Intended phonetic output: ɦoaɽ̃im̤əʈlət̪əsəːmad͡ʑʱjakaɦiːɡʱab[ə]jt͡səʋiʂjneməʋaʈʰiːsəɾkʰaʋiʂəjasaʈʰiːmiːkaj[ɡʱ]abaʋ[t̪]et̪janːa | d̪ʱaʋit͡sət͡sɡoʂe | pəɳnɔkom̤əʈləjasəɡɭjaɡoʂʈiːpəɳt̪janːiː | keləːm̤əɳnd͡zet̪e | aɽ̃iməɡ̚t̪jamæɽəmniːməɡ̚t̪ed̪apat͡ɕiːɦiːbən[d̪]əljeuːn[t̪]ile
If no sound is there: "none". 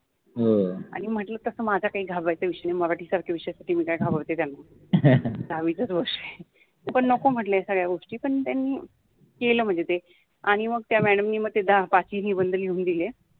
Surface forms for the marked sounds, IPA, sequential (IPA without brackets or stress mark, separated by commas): a, ɡʱ, t̪, d̪, d̪